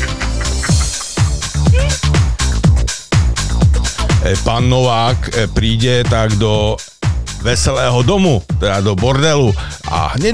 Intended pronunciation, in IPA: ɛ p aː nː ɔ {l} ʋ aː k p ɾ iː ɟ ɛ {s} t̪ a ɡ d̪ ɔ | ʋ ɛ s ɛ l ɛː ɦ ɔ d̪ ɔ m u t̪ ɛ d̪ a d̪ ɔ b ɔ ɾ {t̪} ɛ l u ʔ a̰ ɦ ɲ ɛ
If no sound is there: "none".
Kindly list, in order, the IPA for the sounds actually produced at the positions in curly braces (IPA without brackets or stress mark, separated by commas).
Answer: none, none, d̪